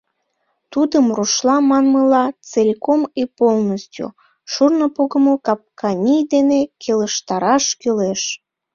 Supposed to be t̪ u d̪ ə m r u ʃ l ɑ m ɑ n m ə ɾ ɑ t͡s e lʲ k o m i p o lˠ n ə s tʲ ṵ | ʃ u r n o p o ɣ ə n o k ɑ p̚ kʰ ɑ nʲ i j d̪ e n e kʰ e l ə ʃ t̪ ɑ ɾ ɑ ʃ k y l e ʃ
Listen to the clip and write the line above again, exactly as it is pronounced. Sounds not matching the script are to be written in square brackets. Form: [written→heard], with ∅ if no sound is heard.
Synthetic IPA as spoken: t̪ u d̪ ə m r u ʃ l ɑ m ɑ n m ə [ɾ→l] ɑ t͡s e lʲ k o m i p o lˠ n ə s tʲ ṵ | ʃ u r n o p o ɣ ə [n→m] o k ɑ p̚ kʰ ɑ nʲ i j d̪ e n e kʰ e l ə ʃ t̪ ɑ ɾ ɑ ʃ k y l e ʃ